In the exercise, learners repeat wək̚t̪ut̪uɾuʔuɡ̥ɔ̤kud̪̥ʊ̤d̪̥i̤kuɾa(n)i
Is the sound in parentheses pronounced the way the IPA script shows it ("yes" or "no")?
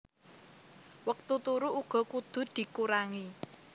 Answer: no